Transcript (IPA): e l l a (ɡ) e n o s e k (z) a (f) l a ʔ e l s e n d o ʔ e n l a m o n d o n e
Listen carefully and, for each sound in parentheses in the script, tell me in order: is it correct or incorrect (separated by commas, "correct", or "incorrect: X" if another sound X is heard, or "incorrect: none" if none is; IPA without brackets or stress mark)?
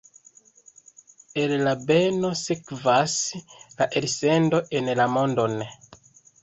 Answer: incorrect: b, incorrect: v, incorrect: s